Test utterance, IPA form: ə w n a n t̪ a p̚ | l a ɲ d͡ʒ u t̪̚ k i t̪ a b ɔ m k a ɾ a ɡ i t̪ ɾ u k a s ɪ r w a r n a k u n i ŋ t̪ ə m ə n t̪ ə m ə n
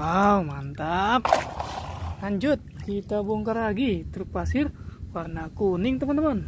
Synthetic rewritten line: a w m a n t̪ a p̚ | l a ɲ d͡ʒ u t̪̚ k i t̪ a b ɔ ŋ k a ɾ a ɡ i t̪ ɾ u p a s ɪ r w a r n a k u n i ŋ t̪ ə m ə n t̪ ə m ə n